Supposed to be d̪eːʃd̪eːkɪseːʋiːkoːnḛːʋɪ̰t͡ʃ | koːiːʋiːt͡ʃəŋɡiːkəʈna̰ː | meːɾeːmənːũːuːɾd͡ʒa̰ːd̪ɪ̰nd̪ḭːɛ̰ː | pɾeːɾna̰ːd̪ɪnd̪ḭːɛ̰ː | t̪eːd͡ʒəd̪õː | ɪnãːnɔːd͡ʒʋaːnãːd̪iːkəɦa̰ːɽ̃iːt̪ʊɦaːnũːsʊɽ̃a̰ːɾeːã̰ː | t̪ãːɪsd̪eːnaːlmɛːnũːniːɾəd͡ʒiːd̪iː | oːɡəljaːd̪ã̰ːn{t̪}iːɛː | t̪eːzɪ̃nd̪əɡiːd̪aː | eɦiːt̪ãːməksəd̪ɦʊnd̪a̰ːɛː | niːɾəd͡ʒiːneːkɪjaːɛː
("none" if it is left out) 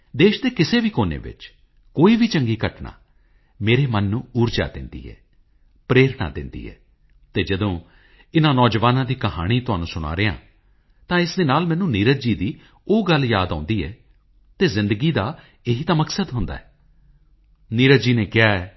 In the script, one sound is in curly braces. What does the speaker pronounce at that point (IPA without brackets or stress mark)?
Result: d̪